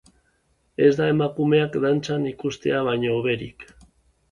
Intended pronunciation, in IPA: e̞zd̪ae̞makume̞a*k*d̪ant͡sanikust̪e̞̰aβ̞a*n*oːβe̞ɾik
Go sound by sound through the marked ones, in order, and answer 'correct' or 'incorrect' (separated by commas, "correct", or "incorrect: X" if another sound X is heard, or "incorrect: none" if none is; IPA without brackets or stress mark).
correct, incorrect: ɲ